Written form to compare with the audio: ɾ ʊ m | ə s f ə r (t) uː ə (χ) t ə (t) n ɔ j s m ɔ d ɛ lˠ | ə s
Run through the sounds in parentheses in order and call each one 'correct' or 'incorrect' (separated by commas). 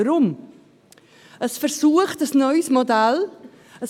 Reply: incorrect, correct, incorrect